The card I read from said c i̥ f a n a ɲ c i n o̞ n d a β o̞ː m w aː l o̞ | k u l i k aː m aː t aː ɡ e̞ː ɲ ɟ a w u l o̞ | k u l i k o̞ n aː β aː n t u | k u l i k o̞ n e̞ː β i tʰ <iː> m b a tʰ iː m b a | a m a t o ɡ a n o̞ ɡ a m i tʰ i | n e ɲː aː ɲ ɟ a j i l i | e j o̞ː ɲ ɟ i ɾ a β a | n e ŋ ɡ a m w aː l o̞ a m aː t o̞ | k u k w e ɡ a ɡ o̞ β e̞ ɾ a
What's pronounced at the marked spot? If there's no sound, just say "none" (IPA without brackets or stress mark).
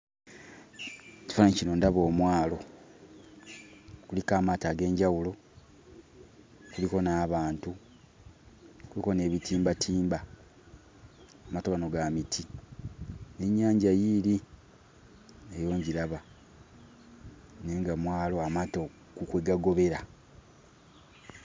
iː